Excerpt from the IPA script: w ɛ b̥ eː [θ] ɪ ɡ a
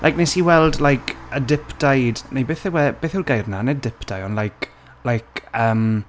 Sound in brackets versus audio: correct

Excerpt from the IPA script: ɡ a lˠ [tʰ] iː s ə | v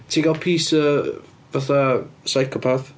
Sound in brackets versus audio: incorrect: pʰ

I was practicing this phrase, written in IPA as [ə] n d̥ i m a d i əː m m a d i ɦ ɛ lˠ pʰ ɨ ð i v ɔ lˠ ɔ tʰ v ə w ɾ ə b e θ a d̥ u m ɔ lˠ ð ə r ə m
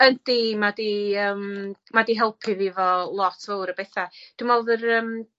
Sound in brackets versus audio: correct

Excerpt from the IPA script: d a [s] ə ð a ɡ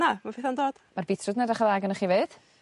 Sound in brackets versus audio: incorrect: χ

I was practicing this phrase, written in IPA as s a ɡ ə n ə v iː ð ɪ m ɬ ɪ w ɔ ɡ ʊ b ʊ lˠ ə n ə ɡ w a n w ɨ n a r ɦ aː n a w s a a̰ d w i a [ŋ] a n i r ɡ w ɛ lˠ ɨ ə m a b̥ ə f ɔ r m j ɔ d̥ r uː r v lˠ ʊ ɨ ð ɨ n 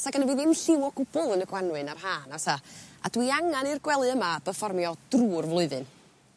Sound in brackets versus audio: correct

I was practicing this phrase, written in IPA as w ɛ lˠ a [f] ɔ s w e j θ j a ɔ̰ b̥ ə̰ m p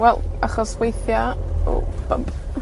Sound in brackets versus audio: incorrect: χ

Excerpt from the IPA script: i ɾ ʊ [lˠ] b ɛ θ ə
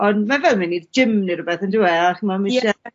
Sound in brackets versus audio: incorrect: none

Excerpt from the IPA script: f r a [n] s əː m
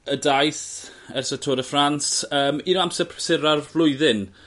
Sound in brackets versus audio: correct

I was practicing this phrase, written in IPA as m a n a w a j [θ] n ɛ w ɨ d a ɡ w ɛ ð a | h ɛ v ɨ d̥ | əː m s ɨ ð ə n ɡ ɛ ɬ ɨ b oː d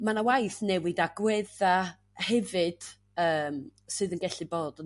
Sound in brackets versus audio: correct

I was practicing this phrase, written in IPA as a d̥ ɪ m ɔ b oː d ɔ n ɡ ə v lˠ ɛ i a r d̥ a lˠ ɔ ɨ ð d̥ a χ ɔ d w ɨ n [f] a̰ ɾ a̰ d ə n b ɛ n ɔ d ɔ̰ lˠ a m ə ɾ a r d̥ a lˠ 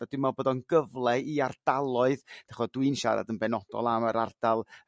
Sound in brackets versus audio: incorrect: ʃ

